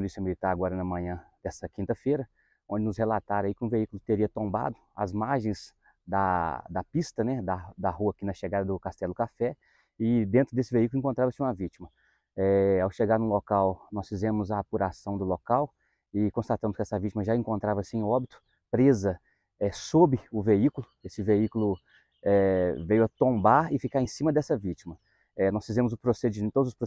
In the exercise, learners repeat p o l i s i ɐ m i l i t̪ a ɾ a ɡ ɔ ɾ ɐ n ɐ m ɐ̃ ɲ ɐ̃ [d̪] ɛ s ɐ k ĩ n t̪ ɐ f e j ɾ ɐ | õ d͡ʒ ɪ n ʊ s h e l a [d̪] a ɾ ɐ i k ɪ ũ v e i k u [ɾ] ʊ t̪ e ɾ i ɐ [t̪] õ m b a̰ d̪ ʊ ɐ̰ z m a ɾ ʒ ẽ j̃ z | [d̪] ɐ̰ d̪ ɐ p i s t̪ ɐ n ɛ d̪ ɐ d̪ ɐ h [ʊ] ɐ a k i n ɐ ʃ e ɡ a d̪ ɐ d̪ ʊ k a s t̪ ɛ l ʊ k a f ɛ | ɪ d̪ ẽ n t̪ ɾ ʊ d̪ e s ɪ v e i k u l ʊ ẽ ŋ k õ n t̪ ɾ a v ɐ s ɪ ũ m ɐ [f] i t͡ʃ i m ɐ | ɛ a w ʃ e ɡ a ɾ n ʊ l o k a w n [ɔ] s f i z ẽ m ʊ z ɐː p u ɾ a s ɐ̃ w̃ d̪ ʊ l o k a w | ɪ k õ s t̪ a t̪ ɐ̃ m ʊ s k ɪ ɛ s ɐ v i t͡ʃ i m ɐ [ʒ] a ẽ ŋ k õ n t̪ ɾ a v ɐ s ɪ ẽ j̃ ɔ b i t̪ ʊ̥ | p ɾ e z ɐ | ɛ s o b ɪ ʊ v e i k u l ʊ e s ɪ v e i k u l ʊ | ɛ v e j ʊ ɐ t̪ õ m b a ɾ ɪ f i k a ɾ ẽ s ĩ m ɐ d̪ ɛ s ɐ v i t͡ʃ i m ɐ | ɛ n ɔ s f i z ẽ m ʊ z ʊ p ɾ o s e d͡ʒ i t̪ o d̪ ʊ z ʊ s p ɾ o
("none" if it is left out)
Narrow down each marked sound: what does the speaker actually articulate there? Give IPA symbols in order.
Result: d̪, t̪, l, t̪, d̪, u, v, ɔ, ʒ

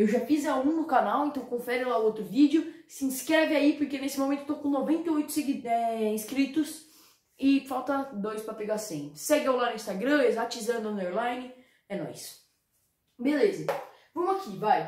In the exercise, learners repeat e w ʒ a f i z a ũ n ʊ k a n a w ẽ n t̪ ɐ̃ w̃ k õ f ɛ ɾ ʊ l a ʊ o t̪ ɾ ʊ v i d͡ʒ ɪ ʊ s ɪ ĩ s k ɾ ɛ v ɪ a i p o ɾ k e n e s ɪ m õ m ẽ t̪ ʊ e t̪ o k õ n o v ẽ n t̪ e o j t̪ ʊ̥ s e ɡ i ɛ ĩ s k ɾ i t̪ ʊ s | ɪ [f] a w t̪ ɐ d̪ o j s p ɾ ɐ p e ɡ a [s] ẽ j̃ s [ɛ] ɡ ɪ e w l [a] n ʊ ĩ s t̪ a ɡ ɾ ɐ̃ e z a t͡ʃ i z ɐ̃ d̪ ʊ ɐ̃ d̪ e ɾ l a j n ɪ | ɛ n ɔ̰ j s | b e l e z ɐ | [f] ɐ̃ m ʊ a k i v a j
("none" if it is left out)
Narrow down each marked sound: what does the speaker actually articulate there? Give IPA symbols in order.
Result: f, s, ɛ, a, v

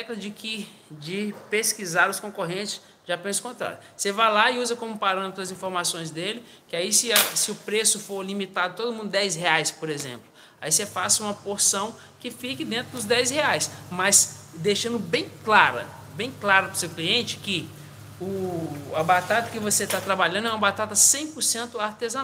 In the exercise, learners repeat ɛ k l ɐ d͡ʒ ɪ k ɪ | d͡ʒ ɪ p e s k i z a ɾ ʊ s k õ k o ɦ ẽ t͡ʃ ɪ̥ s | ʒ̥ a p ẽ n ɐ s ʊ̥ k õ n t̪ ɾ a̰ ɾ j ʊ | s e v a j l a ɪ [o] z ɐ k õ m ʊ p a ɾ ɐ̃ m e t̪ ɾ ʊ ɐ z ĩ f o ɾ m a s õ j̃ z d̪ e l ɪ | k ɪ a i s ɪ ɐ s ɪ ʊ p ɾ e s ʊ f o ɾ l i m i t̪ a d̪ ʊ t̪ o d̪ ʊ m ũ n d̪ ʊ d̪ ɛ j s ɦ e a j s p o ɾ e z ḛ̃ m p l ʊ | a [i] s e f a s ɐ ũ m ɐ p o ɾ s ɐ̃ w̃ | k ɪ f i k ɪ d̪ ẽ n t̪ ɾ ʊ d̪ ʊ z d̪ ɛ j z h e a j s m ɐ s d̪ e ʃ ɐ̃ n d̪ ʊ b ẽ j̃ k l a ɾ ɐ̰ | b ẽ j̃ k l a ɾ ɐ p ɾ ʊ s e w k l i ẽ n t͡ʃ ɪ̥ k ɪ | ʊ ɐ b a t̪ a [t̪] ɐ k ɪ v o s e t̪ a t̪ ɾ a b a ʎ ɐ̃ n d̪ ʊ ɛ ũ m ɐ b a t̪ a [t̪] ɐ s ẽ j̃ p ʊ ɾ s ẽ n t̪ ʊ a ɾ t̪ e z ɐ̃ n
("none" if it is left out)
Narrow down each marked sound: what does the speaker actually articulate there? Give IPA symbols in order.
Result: u, i, t̪, t̪

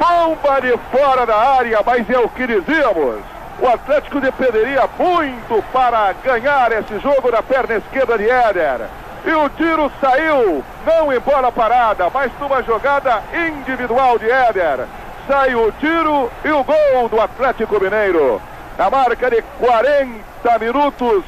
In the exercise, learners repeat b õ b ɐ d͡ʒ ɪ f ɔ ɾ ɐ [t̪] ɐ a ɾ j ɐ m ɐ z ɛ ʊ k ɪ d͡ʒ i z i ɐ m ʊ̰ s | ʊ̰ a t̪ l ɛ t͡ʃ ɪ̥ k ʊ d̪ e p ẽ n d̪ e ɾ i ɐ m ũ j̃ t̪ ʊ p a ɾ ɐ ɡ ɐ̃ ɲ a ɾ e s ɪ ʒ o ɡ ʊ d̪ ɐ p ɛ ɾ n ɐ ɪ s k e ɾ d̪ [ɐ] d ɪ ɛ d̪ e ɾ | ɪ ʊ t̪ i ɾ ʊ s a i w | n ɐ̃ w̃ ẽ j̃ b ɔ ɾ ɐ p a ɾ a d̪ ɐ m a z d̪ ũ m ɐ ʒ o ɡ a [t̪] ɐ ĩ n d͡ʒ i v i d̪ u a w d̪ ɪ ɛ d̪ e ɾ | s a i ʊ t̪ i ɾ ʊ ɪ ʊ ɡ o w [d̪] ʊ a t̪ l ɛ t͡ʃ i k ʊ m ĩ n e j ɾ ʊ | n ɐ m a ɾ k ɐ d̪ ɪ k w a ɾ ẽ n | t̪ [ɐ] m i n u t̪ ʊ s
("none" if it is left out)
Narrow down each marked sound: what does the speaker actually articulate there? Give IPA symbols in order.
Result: d̪, ɐ, d̪, d̪, ɐ

